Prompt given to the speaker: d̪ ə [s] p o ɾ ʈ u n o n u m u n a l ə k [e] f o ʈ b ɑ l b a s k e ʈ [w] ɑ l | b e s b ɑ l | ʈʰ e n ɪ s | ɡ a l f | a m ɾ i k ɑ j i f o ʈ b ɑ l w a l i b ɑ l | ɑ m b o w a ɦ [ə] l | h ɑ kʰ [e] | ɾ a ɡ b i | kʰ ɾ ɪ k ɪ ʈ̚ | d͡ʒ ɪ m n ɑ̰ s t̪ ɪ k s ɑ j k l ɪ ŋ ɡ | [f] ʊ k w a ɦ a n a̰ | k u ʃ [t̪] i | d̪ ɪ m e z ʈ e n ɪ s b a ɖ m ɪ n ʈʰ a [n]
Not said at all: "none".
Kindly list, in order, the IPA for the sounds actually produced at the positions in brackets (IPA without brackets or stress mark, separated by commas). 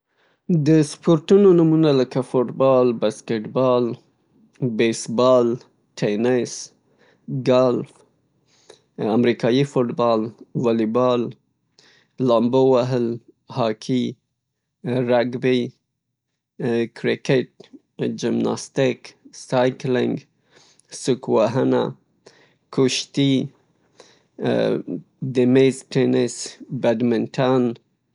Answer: s, a, b, ə, i, s, t̪, n